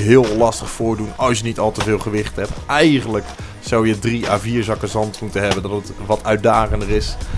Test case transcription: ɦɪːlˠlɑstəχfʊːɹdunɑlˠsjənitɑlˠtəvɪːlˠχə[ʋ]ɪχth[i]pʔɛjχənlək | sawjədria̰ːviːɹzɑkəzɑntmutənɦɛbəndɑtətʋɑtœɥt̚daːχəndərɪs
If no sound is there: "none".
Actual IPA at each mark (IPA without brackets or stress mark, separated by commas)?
ʋ, ɛ